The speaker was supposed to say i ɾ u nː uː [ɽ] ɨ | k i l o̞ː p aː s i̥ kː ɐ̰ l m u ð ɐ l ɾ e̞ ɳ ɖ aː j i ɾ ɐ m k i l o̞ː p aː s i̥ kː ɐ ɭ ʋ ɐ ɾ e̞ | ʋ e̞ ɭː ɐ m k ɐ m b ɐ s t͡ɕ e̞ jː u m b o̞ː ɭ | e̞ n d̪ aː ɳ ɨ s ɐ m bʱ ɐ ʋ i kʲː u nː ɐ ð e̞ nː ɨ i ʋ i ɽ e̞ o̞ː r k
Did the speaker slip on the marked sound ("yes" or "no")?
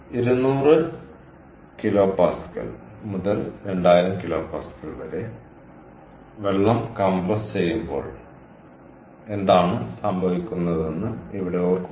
yes